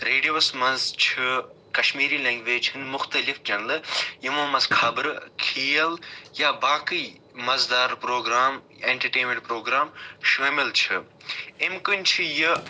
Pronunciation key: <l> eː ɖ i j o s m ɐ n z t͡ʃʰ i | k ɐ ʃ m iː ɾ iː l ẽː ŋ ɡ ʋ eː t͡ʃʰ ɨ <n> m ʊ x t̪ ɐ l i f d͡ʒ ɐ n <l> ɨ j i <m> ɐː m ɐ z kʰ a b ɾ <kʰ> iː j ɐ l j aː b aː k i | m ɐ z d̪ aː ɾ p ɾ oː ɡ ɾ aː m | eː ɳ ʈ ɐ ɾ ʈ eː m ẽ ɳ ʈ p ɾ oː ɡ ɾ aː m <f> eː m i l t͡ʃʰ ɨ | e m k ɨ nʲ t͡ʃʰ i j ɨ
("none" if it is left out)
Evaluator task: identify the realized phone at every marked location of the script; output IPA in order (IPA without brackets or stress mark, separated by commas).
ɾ, n, l, m, kʰ, ʃ